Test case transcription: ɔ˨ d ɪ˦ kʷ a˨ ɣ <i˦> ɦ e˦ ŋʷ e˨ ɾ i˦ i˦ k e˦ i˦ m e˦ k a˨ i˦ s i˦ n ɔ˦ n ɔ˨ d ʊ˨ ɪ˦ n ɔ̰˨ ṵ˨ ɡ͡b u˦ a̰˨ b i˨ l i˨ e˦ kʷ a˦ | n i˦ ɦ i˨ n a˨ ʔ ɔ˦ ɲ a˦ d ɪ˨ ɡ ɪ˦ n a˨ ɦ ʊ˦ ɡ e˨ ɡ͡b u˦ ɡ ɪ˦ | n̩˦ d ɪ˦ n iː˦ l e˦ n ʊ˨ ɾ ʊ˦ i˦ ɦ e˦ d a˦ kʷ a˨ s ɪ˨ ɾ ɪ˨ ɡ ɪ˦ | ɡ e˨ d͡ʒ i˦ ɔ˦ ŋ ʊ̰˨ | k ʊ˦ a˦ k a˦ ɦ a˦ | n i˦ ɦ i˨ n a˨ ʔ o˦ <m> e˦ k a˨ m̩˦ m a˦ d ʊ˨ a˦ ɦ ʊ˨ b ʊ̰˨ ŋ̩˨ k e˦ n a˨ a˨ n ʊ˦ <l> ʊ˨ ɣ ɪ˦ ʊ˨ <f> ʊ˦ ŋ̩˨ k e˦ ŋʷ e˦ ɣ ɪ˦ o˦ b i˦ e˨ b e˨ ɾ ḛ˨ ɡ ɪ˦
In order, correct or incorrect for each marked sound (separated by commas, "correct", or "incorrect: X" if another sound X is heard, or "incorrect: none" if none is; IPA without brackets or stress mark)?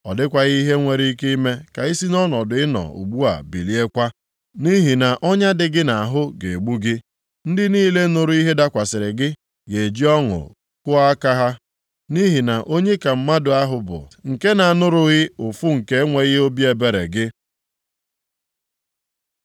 correct, incorrect: ɲ, incorrect: ɾ, correct